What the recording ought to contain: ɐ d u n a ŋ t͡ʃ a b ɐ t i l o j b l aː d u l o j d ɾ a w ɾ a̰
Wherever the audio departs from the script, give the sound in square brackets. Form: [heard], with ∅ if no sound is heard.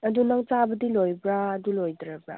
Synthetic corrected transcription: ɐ d u n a ŋ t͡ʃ a b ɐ [d] i l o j b [ɾ] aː d u l o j d ɾ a [b] ɾ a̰